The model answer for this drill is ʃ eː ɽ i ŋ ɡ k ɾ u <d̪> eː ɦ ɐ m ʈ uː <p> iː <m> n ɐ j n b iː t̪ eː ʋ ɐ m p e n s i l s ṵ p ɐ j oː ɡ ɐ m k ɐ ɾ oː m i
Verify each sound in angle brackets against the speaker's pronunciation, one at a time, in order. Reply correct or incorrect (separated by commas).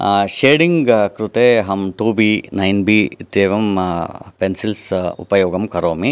incorrect, incorrect, incorrect